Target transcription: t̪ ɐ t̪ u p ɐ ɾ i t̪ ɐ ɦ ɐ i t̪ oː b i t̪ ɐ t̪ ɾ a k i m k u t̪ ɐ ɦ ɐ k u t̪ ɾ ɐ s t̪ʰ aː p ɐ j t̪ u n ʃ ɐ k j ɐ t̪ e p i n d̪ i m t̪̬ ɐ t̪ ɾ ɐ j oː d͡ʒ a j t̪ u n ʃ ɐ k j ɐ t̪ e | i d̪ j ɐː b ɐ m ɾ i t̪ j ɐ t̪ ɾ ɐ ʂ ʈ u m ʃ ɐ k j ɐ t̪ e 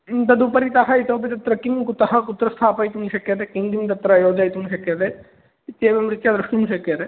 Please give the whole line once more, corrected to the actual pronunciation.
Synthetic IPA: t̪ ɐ d̪ u p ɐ ɾ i t̪ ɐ ɦ ɐ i t̪ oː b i t̪ ɐ t̪ ɾ ɐ k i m k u t̪ ɐ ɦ ɐ k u t̪ ɾ ɐ s t̪ʰ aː p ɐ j t̪ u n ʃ ɐ k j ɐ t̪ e k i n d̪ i m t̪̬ ɐ t̪ ɾ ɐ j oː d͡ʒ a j t̪ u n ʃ ɐ k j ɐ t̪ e | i t̪ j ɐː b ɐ m ɾ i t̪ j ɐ d̪ ɾ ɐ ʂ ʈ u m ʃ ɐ k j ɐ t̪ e

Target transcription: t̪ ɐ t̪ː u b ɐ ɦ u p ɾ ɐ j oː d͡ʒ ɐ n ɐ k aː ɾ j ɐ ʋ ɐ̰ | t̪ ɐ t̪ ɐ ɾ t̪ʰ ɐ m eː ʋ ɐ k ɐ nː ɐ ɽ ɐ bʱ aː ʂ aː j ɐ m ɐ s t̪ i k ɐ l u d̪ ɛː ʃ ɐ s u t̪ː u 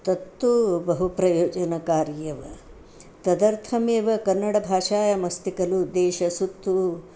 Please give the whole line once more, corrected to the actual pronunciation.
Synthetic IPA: t̪ ɐ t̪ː u b ɐ ɦ u p ɾ ɐ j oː d͡ʒ ɐ n ɐ k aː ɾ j ɐ ʋ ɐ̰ | t̪ ɐ d̪ ɐ ɾ t̪ʰ ɐ m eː ʋ ɐ k ɐ nː ɐ ɽ ɐ bʱ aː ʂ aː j ɐ m ɐ s t̪ i k ɐ l u d̪ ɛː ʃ ɐ s u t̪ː u

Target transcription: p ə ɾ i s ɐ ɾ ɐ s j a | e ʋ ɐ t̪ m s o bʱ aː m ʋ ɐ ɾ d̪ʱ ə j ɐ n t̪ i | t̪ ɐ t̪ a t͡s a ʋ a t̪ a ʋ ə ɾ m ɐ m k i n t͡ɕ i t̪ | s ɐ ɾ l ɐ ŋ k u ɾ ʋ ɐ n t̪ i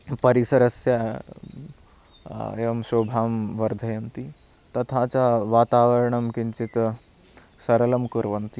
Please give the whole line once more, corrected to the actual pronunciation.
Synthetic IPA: p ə ɾ i s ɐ ɾ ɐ s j a | e ʋ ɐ m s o bʱ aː m ʋ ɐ ɾ d̪ʱ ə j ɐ n t̪ i | t̪ ɐ t̪ʰ a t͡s a ʋ a t̪ a ʋ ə ɾ ɳ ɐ m k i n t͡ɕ i t̪ | s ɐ ɾ l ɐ m k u ɾ ʋ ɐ n t̪ i

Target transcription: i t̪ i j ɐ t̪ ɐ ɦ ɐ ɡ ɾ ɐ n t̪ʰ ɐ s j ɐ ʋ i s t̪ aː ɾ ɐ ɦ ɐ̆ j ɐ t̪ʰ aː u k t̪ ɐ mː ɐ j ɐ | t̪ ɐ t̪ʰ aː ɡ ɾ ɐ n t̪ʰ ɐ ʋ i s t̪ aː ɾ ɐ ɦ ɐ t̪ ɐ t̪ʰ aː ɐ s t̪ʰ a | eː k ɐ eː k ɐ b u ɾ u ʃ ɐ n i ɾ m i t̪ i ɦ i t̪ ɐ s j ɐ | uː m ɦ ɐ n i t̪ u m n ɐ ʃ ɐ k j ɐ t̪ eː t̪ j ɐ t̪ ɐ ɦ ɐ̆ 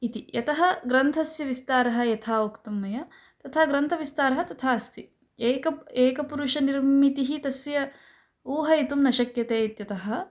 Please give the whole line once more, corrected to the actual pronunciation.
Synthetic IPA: i t̪ i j ɐ t̪ ɐ ɦ ɐ ɡ ɾ ɐ n t̪ʰ ɐ s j ɐ ʋ i s t̪ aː ɾ ɐ ɦ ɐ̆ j ɐ t̪ʰ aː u k t̪ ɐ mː ɐ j ɐ | t̪ ɐ t̪ʰ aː ɡ ɾ ɐ n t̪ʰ ɐ ʋ i s t̪ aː ɾ ɐ ɦ ɐ t̪ ɐ t̪ʰ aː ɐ s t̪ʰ i | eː k ɐ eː k ɐ p u ɾ u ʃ ɐ n i ɾ m i t̪ i ɦ i t̪ ɐ s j ɐ | uː ɦ ɐ i t̪ u m n ɐ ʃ ɐ k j ɐ t̪ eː t̪ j ɐ t̪ ɐ ɦ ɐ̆

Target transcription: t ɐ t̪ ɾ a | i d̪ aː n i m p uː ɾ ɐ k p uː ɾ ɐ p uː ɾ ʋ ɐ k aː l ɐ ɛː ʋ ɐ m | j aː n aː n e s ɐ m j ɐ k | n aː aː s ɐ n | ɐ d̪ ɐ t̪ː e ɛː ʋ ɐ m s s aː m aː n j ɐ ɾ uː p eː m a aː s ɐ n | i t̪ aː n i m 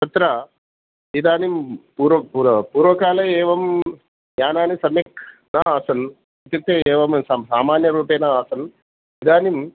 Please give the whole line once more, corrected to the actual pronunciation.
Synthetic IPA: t ɐ t̪ ɾ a | i d̪ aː n i m p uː ɾ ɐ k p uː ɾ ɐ p uː ɾ ʋ ɐ k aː l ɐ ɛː ʋ ɐ m | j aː n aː n i s ɐ m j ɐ k | n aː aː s ɐ n | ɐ t̪ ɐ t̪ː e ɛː ʋ ɐ m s s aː m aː n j ɐ ɾ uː p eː n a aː s ɐ n | i d̪ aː n i m

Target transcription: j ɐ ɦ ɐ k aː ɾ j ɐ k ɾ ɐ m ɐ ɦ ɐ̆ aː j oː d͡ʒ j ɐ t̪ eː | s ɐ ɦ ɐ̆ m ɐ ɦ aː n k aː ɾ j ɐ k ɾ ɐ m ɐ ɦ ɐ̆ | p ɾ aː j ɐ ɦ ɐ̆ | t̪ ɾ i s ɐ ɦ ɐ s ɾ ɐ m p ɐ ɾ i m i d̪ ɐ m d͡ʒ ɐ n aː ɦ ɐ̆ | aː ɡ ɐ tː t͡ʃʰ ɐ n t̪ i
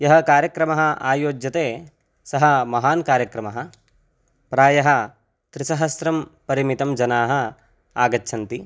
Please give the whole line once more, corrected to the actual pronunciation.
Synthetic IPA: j ɐ ɦ ɐ k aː ɾ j ɐ k ɾ ɐ m ɐ ɦ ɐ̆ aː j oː d͡ʒ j ɐ t̪ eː | s ɐ ɦ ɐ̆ m ɐ ɦ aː n k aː ɾ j ɐ k ɾ ɐ m ɐ ɦ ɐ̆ | p ɾ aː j ɐ ɦ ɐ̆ | t̪ ɾ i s ɐ ɦ ɐ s ɾ ɐ m p ɐ ɾ i m i t̪ ɐ m d͡ʒ ɐ n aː ɦ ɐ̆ | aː ɡ ɐ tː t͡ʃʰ ɐ n t̪ i

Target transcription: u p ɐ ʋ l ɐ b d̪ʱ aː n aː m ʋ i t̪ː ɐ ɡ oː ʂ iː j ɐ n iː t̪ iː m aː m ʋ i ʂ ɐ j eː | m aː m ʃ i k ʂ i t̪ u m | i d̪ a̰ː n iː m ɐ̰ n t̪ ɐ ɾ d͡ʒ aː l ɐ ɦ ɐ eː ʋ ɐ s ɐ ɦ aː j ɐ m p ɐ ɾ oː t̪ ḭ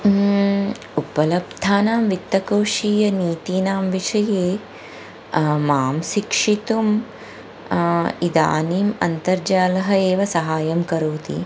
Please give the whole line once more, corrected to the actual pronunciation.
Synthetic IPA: u p ɐ l ɐ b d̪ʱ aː n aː m ʋ i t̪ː ɐ k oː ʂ iː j ɐ n iː t̪ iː n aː m ʋ i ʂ ɐ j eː | m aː m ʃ i k ʂ i t̪ u m | i d̪ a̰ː n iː m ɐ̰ n t̪ ɐ ɾ d͡ʒ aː l ɐ ɦ ɐ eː ʋ ɐ s ɐ ɦ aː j ɐ m k ɐ ɾ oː t̪ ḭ

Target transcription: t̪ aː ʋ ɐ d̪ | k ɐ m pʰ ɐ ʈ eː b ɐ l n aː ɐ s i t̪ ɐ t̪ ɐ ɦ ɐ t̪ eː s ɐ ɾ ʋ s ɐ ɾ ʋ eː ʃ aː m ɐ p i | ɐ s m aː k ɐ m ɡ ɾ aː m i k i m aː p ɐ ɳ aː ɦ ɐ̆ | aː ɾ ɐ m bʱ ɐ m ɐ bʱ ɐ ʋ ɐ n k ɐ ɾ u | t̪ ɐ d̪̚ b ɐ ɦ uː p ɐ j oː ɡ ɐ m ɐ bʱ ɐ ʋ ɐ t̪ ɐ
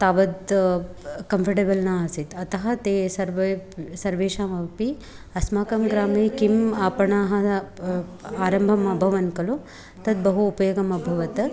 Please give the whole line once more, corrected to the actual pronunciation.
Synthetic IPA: t̪ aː ʋ ɐ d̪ | k ɐ m pʰ ɐ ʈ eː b ɐ l n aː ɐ s i t̪ ɐ t̪ ɐ ɦ ɐ t̪ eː s ɐ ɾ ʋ s ɐ ɾ ʋ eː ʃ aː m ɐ p i | ɐ s m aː k ɐ m ɡ ɾ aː m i k i m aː p ɐ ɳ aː ɦ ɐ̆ | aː ɾ ɐ m bʱ ɐ m ɐ bʱ ɐ ʋ ɐ n k ɐ l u | t̪ ɐ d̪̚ b ɐ ɦ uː p ɐ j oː ɡ ɐ m ɐ bʱ ɐ ʋ ɐ t̪ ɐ

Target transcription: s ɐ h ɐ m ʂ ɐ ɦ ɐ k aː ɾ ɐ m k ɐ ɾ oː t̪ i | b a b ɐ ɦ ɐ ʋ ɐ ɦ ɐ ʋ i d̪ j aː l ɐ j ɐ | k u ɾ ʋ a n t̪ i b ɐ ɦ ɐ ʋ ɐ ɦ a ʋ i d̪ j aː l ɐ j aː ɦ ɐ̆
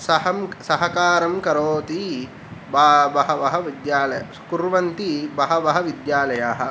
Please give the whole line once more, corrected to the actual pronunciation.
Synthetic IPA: s ɐ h ɐ m s ɐ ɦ ɐ k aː ɾ ɐ m k ɐ ɾ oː t̪ i | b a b ɐ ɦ ɐ ʋ ɐ ɦ ɐ ʋ i d̪ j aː l ɐ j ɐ | k u ɾ ʋ ɐ n t̪ i b ɐ ɦ ɐ ʋ ɐ ɦ ɐ ʋ i d̪ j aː l ɐ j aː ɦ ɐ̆

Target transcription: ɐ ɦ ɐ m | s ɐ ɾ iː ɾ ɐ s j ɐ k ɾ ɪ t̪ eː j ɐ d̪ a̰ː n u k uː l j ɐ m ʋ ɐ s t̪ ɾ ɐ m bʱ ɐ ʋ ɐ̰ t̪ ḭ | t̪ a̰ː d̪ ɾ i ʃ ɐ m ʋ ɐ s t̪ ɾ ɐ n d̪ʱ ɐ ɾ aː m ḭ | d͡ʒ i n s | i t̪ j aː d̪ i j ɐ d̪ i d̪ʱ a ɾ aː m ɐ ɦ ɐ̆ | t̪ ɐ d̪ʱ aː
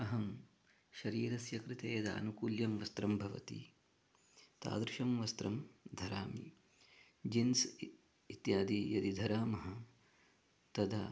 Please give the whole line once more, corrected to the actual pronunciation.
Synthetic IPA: ɐ ɦ ɐ m | ʃ ɐ ɾ iː ɾ ɐ s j ɐ k ɾ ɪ t̪ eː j ɐ d̪ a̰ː n u k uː l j ɐ m ʋ ɐ s t̪ ɾ ɐ m bʱ ɐ ʋ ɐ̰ t̪ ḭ | t̪ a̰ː d̪ ɾ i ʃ ɐ m ʋ ɐ s t̪ ɾ ɐ m d̪ʱ ɐ ɾ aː m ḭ | d͡ʒ i n s | i t̪ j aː d̪ i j ɐ d̪ i d̪ʱ ɐ ɾ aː m ɐ ɦ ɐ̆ | t̪ ɐ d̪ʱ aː

